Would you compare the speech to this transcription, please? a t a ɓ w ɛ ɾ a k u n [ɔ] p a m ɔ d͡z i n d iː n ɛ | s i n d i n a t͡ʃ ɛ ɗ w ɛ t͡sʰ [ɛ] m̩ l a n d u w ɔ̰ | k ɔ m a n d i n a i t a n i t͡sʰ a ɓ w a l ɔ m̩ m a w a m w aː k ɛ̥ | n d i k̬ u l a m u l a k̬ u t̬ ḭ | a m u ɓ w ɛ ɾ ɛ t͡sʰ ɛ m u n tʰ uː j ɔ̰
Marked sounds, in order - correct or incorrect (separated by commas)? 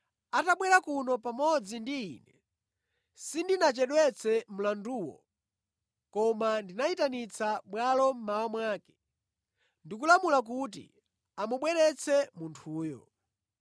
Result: correct, correct